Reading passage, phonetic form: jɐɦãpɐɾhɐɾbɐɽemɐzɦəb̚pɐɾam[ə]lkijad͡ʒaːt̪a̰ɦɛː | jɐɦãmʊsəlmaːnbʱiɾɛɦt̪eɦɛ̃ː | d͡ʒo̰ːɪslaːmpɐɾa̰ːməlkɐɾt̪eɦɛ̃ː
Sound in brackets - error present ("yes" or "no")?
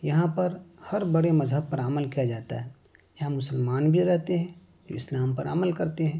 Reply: no